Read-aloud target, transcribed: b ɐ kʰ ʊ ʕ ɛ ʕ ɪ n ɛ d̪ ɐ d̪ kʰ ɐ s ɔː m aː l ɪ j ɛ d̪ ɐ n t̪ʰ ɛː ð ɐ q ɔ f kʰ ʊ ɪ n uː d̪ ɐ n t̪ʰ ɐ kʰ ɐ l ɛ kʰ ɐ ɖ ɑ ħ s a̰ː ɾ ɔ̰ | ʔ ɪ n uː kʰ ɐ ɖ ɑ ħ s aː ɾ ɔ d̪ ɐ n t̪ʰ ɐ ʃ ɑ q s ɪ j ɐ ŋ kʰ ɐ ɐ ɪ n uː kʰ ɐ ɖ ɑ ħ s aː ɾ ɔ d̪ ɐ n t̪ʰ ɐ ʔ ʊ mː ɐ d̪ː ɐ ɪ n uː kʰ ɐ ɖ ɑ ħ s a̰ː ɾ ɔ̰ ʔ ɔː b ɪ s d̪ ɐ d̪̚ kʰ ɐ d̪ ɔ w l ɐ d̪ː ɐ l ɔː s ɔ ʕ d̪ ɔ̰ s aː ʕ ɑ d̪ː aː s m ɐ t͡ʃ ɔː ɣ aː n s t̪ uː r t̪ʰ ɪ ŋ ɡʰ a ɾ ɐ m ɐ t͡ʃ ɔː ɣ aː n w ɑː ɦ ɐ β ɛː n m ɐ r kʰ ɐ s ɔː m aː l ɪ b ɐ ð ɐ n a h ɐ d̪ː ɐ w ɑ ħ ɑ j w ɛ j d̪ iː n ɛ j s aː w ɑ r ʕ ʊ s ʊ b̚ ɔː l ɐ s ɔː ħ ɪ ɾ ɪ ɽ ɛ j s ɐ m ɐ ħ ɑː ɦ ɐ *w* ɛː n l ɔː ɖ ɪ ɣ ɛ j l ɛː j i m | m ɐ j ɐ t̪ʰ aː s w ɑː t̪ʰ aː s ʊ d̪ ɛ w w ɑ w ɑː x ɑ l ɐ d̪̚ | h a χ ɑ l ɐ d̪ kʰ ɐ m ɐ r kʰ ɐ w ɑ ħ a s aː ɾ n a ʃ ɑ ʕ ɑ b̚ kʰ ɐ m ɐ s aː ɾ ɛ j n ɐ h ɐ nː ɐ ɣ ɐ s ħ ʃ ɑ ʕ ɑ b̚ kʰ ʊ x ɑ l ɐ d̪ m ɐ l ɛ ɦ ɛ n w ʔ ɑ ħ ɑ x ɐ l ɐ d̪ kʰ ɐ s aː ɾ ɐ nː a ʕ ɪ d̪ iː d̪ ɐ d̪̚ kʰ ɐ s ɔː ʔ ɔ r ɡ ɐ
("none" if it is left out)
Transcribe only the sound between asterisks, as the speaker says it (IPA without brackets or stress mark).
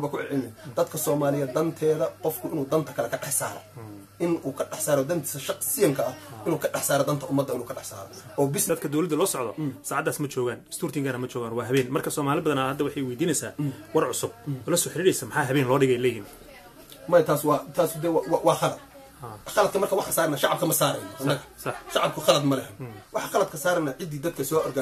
β